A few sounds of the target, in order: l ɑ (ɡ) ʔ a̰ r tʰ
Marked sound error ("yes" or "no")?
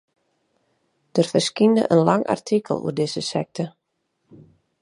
yes